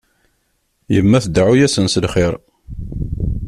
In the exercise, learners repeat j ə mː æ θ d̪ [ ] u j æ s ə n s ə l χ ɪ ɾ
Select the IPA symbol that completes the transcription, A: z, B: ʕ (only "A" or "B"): B